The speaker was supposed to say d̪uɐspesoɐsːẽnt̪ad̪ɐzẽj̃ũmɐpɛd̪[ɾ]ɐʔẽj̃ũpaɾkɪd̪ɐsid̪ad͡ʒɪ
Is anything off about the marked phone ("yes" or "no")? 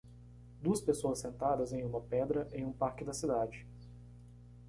no